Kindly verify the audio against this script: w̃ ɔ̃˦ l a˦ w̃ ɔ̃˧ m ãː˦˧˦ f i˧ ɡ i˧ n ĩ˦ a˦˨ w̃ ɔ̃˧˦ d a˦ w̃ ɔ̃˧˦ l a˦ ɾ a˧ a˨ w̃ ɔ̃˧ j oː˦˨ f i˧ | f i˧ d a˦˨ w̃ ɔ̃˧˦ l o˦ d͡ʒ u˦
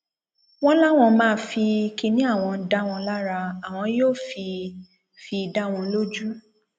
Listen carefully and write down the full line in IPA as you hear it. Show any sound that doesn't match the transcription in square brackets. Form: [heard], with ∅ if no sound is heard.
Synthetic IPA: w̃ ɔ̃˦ l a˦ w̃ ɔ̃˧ m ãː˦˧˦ f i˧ [k] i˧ n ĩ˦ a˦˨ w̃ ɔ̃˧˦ d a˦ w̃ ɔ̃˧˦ l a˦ ɾ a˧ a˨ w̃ ɔ̃˧ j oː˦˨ f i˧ | f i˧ d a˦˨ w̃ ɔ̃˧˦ l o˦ d͡ʒ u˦